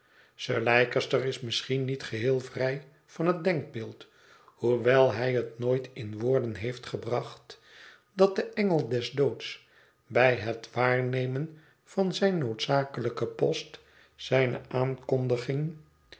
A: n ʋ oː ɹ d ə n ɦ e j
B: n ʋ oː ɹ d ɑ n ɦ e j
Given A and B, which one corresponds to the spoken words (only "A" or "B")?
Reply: A